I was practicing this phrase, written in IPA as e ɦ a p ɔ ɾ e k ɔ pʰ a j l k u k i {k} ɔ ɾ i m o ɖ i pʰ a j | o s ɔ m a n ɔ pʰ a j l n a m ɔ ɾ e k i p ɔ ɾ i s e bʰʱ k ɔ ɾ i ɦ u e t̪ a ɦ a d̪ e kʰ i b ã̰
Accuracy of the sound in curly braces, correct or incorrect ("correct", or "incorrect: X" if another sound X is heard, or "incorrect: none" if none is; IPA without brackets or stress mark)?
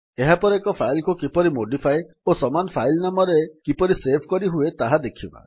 incorrect: p